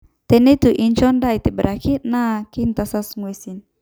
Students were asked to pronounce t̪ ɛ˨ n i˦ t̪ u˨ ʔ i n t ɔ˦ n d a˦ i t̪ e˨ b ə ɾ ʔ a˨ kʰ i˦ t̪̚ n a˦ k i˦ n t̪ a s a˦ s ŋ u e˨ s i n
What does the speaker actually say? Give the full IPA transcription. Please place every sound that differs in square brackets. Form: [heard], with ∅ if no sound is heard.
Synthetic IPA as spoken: t̪ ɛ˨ n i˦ t̪ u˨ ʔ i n [t͡ʃ] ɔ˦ n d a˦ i t̪ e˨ b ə ɾ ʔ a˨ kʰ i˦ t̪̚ n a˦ k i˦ n t̪ a s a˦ s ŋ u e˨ s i n